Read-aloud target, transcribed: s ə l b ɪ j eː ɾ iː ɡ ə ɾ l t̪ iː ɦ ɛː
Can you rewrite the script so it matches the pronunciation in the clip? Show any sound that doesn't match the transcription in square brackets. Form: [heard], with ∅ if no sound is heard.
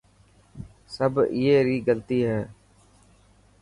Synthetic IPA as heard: s ə [∅] b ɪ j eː ɾ iː ɡ ə [∅] l t̪ iː ɦ ɛː